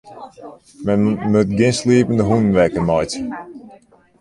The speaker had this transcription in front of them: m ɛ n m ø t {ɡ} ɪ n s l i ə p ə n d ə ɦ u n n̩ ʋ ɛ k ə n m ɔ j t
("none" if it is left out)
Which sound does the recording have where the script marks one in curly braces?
ɡ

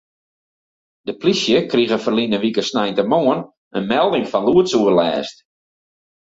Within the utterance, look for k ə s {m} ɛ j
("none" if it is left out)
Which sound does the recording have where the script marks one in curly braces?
n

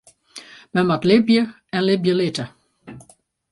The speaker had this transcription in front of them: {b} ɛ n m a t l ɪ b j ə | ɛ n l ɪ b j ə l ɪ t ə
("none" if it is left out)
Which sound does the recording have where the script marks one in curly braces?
m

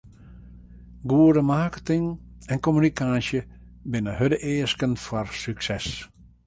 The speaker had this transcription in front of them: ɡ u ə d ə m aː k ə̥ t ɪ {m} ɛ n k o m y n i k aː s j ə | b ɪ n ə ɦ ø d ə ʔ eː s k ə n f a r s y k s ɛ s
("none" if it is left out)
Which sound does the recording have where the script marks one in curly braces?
ŋ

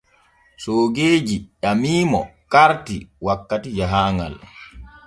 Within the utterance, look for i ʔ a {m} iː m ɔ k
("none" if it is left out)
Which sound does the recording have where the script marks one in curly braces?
m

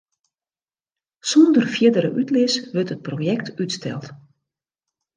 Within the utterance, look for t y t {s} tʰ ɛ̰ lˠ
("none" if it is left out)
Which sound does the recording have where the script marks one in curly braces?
s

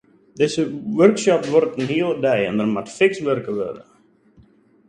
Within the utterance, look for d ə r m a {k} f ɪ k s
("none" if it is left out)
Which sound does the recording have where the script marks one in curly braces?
t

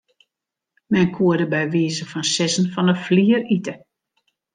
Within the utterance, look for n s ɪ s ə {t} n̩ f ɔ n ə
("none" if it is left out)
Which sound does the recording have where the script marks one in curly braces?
none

